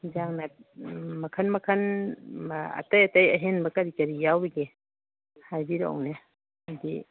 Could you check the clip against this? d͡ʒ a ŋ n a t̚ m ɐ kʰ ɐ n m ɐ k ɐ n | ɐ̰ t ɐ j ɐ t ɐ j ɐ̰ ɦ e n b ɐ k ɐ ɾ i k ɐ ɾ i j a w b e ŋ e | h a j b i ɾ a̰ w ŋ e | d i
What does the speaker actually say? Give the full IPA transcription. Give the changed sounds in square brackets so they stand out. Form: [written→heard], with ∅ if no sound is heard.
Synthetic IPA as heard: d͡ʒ a ŋ n a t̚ m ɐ kʰ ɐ n m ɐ [k→kʰ] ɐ n | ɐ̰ t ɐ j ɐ t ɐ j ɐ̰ ɦ e n b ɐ k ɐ ɾ i k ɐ ɾ i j a w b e [ŋ→ɡ] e | h a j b i ɾ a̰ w [ŋ→n] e | d i